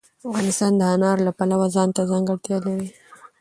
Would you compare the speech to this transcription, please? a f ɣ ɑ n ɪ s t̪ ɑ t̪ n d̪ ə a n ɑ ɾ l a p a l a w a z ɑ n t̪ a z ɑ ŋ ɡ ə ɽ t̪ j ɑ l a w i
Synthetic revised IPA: a f ɣ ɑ n ɪ s t̪ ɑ n d̪ ə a n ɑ ɾ l a p a l a w a z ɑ n t̪ a z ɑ ŋ ɡ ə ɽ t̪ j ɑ l a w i